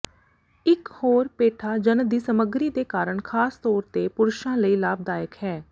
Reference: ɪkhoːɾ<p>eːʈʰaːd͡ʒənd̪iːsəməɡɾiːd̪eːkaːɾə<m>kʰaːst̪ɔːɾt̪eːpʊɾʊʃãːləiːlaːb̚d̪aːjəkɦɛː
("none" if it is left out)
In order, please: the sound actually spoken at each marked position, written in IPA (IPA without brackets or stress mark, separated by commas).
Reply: p, ɳ